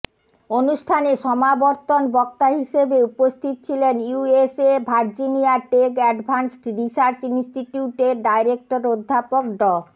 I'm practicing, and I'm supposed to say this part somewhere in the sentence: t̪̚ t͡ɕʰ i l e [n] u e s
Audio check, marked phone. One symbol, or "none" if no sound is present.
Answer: n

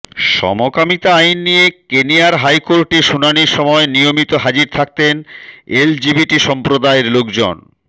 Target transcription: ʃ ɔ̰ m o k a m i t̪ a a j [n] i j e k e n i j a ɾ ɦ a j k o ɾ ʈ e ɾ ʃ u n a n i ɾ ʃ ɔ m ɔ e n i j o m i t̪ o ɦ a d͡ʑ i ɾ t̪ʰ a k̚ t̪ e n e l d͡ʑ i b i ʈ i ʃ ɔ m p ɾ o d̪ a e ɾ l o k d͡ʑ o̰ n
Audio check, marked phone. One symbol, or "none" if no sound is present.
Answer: nː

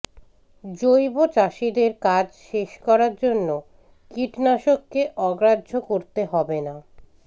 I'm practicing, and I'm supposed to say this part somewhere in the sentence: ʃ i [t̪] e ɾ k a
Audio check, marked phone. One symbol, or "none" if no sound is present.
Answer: d̪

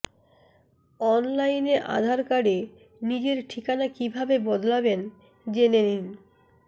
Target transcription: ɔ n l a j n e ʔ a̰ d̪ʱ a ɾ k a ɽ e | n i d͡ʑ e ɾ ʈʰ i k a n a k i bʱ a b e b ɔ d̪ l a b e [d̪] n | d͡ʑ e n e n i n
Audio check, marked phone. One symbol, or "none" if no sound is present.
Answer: none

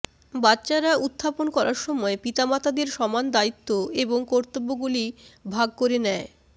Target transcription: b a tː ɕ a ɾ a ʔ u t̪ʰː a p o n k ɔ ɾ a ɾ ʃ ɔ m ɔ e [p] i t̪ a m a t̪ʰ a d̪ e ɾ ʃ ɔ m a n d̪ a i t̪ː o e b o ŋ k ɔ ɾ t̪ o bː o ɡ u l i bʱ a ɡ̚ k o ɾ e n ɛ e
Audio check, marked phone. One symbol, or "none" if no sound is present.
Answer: p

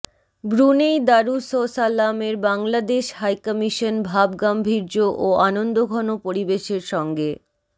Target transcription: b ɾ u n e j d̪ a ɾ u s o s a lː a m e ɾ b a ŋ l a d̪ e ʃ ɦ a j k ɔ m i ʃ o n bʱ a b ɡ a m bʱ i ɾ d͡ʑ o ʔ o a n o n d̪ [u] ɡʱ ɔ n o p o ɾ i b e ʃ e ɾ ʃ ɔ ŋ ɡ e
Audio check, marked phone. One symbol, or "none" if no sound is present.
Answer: o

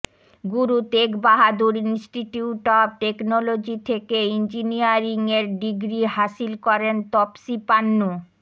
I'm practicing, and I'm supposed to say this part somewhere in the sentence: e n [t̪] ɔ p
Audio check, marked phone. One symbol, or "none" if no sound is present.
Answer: t̪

